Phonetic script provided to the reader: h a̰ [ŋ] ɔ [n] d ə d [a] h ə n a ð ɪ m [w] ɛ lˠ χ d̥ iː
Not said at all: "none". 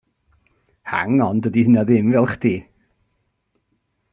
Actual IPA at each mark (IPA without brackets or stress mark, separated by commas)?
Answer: ŋ, n, i, v